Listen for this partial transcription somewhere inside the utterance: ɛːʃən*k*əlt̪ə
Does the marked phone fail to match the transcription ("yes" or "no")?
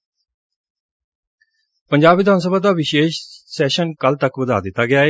no